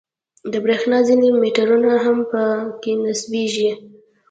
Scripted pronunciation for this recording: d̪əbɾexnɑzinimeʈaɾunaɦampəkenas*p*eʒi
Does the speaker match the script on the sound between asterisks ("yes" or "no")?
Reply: no